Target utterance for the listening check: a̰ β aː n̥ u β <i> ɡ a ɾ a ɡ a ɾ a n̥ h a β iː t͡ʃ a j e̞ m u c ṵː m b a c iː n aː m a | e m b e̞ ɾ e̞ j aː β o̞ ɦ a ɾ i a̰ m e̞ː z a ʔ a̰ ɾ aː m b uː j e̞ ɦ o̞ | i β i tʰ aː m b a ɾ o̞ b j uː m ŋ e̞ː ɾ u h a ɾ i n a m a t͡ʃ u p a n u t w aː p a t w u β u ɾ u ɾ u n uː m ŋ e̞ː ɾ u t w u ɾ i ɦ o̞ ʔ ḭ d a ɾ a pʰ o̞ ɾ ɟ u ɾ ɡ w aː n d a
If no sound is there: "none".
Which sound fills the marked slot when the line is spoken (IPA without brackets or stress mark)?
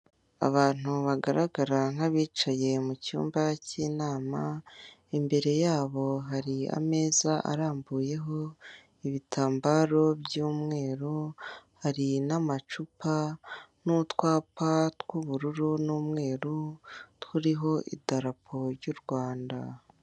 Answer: a